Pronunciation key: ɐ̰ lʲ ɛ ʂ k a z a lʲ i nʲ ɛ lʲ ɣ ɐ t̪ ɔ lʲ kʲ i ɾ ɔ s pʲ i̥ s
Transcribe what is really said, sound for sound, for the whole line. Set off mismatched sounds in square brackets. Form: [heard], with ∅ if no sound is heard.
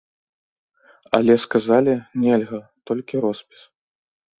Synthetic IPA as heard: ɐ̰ lʲ ɛ [s] k a z a lʲ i nʲ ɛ lʲ ɣ ɐ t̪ ɔ lʲ kʲ i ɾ ɔ s pʲ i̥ s